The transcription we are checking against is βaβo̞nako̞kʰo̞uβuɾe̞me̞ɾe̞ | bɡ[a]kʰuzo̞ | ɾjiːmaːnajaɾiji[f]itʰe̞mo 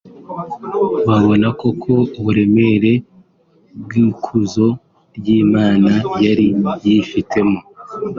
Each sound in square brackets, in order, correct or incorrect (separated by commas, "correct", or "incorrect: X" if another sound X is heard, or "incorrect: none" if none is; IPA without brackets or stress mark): incorrect: i, correct